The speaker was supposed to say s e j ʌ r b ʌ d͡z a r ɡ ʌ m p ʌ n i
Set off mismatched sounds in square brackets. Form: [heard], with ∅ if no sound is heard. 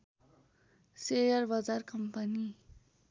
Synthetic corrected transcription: s e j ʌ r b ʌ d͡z a r [k] ʌ m p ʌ n i